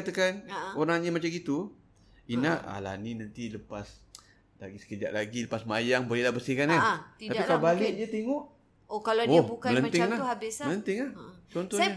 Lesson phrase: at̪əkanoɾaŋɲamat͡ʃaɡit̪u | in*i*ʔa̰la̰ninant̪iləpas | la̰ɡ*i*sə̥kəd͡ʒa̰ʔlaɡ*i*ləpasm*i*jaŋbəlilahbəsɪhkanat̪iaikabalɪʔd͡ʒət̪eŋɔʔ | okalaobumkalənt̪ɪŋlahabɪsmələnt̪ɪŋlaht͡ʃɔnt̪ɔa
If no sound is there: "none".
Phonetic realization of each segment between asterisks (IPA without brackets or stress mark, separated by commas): a, i, i, a